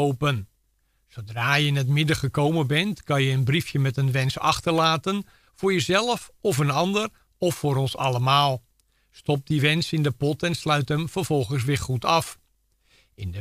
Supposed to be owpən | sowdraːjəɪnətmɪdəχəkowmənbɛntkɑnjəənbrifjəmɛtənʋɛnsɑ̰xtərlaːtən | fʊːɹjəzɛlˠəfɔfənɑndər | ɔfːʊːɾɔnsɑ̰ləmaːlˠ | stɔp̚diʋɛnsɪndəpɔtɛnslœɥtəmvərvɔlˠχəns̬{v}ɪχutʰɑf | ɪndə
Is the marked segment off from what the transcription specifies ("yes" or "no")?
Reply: yes